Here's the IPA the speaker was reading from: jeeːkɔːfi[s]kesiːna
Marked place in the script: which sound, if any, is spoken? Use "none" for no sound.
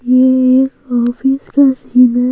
s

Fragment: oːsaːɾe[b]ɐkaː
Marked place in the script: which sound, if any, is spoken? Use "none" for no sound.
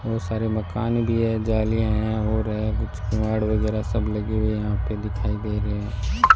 m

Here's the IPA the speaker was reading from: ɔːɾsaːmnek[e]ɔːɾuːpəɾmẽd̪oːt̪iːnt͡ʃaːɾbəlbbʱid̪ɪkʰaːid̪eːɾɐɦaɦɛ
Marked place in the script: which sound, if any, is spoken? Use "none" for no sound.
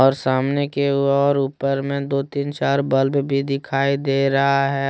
e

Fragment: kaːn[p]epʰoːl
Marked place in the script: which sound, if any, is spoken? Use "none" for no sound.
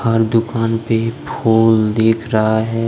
p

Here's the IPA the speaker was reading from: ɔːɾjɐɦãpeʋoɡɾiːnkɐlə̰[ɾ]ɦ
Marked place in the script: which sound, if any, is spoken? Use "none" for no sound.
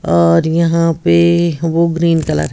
ɾ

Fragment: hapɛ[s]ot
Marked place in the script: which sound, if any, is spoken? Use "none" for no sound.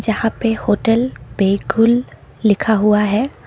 h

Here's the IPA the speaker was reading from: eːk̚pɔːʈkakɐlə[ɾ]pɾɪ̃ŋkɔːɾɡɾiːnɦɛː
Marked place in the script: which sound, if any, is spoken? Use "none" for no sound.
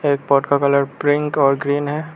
ɾ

